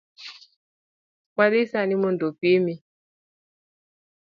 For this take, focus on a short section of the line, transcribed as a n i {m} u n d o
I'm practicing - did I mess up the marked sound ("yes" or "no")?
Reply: no